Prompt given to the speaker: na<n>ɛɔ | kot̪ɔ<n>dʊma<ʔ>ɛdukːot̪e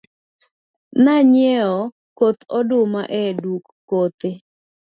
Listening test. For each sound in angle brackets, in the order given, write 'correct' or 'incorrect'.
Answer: incorrect: ɲ, incorrect: none, correct

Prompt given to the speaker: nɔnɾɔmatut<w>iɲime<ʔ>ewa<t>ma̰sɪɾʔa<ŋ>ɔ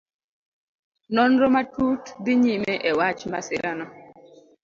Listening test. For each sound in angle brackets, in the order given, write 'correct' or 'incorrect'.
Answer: incorrect: b, correct, incorrect: t͡ʃ, incorrect: n

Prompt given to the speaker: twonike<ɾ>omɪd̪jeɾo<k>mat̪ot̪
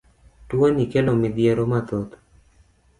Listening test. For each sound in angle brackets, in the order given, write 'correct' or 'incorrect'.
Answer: incorrect: l, incorrect: none

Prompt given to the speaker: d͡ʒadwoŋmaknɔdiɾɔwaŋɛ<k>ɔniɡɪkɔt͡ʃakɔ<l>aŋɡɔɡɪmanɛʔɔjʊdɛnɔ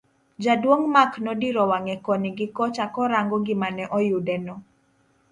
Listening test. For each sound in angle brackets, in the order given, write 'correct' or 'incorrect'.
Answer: correct, incorrect: ɾ

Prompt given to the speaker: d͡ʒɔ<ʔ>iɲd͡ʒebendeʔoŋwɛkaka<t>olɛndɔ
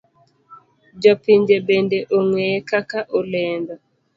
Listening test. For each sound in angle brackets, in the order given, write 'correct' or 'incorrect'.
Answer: incorrect: p, incorrect: ʔ

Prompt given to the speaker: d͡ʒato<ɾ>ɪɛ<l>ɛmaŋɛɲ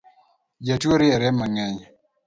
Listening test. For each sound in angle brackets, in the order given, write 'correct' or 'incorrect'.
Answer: correct, incorrect: ɾ

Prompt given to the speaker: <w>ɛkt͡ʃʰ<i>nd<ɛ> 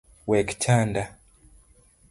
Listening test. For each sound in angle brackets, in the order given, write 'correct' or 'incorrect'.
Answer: correct, incorrect: a, incorrect: a

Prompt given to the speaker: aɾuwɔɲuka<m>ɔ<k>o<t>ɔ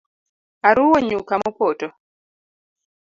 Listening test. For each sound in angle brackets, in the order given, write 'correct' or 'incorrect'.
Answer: correct, incorrect: p, correct

